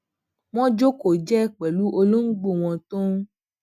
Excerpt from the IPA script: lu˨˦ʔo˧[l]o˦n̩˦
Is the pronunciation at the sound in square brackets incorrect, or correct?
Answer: correct